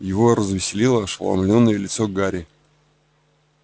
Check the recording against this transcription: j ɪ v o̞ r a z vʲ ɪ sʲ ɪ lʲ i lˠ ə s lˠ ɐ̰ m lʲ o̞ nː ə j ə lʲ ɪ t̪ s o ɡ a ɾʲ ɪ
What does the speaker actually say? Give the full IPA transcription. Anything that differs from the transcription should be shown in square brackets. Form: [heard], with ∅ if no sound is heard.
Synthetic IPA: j ɪ v o̞ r [ə] z vʲ ɪ sʲ ɪ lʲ i lˠ ə [ʂ] lˠ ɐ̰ m lʲ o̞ nː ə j ə lʲ ɪ t̪ s o ɡ a ɾʲ ɪ